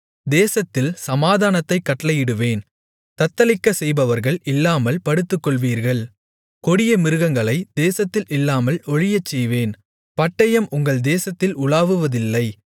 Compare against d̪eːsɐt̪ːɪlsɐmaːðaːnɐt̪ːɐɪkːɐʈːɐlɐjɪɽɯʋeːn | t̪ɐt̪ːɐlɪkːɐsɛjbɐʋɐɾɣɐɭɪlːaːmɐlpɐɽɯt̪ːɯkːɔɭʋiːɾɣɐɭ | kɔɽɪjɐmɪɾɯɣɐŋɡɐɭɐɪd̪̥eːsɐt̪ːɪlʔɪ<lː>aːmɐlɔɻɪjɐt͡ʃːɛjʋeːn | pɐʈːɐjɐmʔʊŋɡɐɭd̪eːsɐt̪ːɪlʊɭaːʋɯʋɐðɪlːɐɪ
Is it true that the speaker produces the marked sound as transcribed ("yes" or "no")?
yes